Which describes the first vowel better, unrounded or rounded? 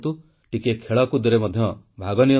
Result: rounded